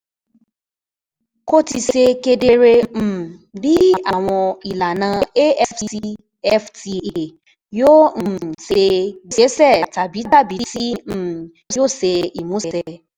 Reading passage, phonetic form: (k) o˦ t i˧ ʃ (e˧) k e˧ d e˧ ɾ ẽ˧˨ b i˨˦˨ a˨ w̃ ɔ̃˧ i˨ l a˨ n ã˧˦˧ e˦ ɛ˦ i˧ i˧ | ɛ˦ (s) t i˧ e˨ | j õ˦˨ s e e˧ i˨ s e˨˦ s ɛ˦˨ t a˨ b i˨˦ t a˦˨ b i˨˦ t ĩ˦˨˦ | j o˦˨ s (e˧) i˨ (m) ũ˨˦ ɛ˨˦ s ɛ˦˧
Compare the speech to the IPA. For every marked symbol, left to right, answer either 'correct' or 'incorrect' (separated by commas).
correct, correct, incorrect, correct, correct